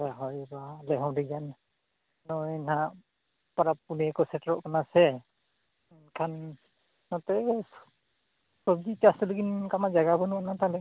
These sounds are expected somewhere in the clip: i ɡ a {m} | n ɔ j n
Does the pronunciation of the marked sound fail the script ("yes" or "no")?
yes